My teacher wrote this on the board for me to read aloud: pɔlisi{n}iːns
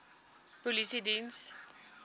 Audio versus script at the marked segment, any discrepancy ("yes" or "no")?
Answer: yes